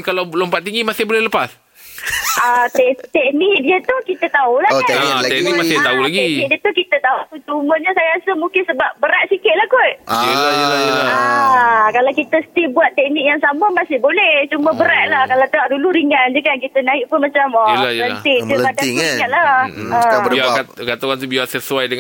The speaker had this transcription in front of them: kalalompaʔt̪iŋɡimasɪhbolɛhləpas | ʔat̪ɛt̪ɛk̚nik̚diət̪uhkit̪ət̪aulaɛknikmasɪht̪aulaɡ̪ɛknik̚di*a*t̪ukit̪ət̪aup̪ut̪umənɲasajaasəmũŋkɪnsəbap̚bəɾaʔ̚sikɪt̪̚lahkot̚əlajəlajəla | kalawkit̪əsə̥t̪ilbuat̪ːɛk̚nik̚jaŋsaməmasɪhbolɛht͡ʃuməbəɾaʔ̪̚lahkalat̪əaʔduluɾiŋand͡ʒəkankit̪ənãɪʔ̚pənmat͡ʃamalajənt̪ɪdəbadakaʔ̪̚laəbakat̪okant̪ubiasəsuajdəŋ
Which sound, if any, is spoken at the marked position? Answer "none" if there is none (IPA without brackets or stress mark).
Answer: ə